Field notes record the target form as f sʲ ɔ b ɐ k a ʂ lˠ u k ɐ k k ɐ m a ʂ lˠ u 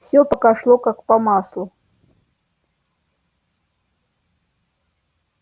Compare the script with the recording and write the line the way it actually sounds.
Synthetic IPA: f sʲ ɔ p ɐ k a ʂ lˠ ɔ k a k p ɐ m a s lˠ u